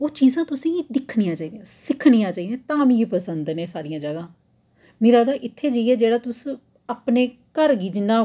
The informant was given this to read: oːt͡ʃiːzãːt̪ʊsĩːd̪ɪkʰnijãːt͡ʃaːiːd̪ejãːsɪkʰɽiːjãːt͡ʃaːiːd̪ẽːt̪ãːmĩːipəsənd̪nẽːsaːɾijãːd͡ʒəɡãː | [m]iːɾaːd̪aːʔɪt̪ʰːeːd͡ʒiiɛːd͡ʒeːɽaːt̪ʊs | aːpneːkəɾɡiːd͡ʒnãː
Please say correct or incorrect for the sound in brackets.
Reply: correct